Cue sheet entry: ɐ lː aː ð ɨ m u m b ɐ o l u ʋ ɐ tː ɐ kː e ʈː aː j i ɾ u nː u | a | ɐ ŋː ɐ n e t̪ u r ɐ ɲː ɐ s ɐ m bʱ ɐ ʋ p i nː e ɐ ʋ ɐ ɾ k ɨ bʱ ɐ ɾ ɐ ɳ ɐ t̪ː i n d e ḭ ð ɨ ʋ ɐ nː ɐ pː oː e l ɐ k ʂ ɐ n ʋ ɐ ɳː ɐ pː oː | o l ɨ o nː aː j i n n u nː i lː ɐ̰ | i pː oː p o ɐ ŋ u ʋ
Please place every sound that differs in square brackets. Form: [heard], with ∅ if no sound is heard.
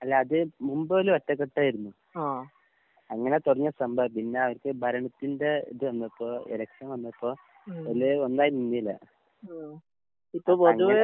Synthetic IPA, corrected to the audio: ɐ lː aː ð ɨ m u m b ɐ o l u ʋ ɐ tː ɐ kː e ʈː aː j i ɾ u nː u | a | ɐ ŋː ɐ n e t̪ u r ɐ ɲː ɐ s ɐ m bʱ ɐ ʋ p i nː e ɐ ʋ ɐ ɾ k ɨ bʱ ɐ ɾ ɐ ɳ ɐ t̪ː i n d e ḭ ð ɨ ʋ ɐ nː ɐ pː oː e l ɐ k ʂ ɐ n ʋ ɐ [nː] ɐ pː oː | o l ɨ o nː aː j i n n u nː i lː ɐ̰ | i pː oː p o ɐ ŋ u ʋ

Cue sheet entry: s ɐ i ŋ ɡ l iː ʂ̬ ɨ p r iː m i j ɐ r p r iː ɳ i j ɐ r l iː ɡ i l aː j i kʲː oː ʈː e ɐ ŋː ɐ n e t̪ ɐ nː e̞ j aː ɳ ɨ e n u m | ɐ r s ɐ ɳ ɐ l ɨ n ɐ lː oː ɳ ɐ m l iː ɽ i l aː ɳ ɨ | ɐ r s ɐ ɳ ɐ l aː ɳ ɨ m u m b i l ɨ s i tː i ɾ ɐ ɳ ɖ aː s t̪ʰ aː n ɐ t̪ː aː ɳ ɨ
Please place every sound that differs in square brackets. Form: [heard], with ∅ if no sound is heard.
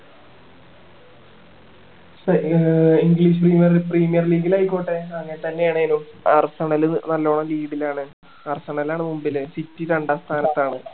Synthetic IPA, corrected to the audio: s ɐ i ŋ ɡ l iː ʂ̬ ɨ p r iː m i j ɐ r p r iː [m] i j ɐ r l iː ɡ i l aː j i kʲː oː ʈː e ɐ ŋː ɐ n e t̪ ɐ nː e̞ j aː ɳ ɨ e n u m | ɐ r s ɐ ɳ ɐ l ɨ n ɐ lː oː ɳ ɐ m l iː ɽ i l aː ɳ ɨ | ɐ r s ɐ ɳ ɐ l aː ɳ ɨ m u m b i l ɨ s i tː i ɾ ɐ ɳ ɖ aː s t̪ʰ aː n ɐ t̪ː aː ɳ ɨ

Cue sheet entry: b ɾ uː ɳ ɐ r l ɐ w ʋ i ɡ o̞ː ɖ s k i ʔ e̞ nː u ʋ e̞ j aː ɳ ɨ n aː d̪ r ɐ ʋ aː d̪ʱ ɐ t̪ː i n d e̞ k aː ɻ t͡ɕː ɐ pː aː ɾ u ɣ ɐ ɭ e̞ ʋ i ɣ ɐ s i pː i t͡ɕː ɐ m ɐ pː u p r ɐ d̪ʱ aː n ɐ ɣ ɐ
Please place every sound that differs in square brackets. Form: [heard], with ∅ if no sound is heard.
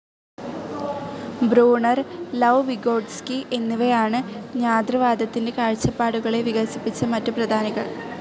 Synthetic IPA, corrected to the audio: b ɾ uː ɳ ɐ r l ɐ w ʋ i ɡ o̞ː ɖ s k i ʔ e̞ nː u ʋ e̞ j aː ɳ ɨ [ɲ] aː d̪ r ɐ ʋ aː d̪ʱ ɐ t̪ː i n d e̞ k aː ɻ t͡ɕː ɐ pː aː [ɽ] u ɣ ɐ ɭ e̞ ʋ i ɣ ɐ s i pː i t͡ɕː ɐ m ɐ [tː] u p r ɐ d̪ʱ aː n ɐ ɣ ɐ

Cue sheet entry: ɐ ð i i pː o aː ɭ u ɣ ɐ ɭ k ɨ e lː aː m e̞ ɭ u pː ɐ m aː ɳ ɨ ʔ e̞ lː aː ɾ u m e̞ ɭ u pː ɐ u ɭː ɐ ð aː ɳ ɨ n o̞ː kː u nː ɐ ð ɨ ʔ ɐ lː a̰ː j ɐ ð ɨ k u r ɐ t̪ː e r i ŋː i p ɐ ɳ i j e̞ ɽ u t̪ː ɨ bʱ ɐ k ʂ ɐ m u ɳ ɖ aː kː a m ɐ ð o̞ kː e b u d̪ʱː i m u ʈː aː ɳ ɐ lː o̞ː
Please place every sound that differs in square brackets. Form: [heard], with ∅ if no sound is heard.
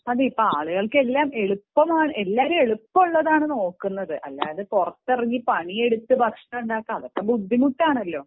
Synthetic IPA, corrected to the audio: ɐ ð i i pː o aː ɭ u ɣ ɐ ɭ k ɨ e lː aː m e̞ ɭ u pː ɐ m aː ɳ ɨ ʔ e̞ lː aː ɾ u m e̞ ɭ u pː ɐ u ɭː ɐ ð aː ɳ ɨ n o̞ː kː u nː ɐ ð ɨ ʔ ɐ lː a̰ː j ɐ ð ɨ k u r ɐ t̪ː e r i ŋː i p ɐ ɳ i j e̞ ɽ u t̪ː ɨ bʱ ɐ k ʂ ɐ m u ɳ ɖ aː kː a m ɐ ð o̞ kː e b u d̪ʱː i m u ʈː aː ɳ ɐ lː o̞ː

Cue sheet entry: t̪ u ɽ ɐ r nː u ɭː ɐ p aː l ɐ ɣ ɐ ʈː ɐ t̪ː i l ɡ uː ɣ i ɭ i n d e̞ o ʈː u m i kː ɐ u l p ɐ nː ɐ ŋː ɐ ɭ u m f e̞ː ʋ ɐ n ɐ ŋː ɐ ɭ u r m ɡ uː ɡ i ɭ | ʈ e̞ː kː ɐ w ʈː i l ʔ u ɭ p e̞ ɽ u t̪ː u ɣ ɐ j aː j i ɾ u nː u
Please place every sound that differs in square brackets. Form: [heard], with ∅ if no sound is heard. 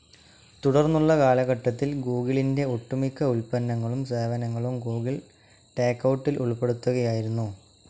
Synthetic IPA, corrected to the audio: t̪ u ɽ ɐ r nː u ɭː ɐ [k] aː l ɐ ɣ ɐ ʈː ɐ t̪ː i l ɡ uː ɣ i ɭ i n d e̞ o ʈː u m i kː ɐ u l p ɐ nː ɐ ŋː ɐ ɭ u m [s] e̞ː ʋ ɐ n ɐ ŋː ɐ ɭ u [∅] m ɡ uː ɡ i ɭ | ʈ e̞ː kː ɐ w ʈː i l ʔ u ɭ p e̞ ɽ u t̪ː u ɣ ɐ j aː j i ɾ u nː u

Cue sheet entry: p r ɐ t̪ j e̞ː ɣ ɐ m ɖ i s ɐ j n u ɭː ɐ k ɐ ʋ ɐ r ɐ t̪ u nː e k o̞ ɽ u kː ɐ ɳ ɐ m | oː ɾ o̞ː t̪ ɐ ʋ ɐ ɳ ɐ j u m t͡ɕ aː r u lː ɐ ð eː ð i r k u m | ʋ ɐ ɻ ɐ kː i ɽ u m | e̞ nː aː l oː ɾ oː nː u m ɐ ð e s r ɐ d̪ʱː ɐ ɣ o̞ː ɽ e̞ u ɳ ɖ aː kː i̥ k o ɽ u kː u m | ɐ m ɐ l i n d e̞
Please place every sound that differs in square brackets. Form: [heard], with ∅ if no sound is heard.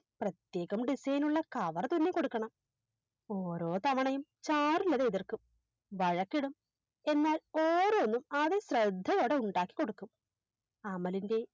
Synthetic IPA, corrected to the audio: p r ɐ t̪ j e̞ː ɣ ɐ m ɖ i s ɐ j n u ɭː ɐ k ɐ ʋ ɐ r ɐ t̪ u nː e k o̞ ɽ u kː ɐ ɳ ɐ m | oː ɾ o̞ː t̪ ɐ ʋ ɐ ɳ ɐ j u m t͡ɕ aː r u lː ɐ ð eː ð i r k u m | ʋ ɐ ɻ ɐ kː i ɽ u m | e̞ nː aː l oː ɾ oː nː u m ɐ ð e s r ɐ d̪ʱː ɐ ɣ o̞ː ɽ e̞ u ɳ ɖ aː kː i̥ k o ɽ u kː u m | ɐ m ɐ l i n d e̞

